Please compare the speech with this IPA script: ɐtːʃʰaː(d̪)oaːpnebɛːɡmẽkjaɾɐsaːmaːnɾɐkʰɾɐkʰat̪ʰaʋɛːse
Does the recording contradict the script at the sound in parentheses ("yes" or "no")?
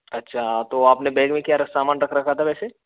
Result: yes